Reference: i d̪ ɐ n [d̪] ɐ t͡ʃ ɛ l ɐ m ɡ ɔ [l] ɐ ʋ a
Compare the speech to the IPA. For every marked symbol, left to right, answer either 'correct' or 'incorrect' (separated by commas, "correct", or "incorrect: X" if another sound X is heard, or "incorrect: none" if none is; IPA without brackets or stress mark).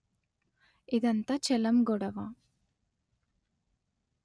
incorrect: t̪, incorrect: ɽ